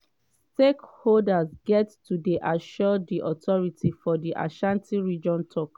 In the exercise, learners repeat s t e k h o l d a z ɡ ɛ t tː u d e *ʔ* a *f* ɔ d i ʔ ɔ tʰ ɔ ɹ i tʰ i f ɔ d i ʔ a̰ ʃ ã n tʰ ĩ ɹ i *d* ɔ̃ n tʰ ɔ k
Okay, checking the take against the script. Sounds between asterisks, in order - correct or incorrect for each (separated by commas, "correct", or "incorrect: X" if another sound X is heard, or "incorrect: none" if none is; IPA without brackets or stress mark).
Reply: correct, incorrect: ʃ, incorrect: d͡ʒ